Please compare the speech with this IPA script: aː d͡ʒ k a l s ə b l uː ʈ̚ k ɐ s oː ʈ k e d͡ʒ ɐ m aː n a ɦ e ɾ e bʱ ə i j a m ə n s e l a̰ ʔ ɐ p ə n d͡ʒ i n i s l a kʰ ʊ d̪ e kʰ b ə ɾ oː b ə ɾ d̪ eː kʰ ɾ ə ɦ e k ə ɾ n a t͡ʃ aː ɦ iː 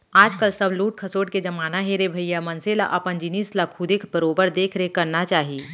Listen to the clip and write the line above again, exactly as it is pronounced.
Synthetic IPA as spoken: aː d͡ʒ k ə l s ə b l uː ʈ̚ kʰ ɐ s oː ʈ k e d͡ʒ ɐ m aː n a ɦ e ɾ e bʱ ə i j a m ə n s e l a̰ ʔ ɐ p ə n d͡ʒ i n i s l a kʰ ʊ d̪ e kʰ b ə ɾ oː b ə ɾ d̪ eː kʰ ɾ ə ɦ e k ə ɾ n a t͡ʃ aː ɦ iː